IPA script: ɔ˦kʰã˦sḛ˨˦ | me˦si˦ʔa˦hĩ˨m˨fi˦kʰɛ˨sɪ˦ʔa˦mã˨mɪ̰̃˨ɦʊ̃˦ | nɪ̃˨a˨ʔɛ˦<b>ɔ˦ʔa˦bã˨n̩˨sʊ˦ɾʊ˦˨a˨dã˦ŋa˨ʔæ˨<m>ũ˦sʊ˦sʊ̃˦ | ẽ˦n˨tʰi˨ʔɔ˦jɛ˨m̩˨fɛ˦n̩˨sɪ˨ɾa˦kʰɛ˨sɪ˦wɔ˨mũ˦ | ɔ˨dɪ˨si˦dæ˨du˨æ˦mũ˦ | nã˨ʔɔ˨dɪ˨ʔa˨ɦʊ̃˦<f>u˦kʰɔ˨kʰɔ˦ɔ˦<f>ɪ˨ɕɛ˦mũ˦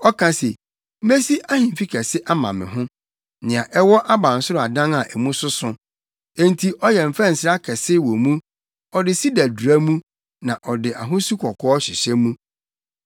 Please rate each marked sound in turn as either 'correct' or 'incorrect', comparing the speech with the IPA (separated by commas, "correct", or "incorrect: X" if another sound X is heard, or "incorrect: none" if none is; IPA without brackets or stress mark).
incorrect: w, correct, incorrect: s, incorrect: ɕ